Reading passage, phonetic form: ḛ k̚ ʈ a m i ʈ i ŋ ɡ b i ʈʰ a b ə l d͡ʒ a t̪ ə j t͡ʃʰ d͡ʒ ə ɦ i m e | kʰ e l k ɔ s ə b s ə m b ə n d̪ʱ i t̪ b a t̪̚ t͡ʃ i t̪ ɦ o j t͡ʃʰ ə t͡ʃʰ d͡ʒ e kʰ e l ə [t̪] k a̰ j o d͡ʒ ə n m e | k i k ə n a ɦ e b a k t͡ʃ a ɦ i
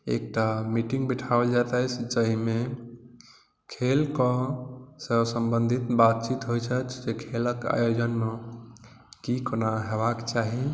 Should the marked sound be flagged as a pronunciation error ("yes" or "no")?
yes